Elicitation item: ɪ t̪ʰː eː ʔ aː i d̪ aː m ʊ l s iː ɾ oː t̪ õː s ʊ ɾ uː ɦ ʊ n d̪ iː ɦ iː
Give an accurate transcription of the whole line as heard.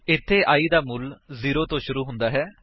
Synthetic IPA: ɪ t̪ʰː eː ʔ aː iː d̪ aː m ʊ l z iː ɾ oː t̪ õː ʃ ʊ ɾ uː ɦ ʊ n d̪ aː ɦ ɛː